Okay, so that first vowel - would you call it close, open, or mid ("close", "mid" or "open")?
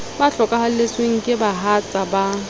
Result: open